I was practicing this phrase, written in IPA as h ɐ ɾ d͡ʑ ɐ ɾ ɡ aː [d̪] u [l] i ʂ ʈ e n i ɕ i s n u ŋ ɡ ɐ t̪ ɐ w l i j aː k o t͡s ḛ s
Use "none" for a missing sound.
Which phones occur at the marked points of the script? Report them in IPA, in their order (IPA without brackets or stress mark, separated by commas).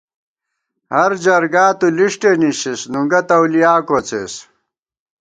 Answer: t̪, l